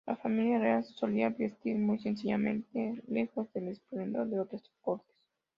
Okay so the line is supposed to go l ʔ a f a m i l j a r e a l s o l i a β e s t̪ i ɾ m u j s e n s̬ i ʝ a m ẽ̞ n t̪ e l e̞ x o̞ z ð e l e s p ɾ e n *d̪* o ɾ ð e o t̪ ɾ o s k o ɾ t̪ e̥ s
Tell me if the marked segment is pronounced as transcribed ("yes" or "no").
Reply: yes